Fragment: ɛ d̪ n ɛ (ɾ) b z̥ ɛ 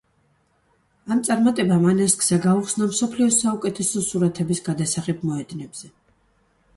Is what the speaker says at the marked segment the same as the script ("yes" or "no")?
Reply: no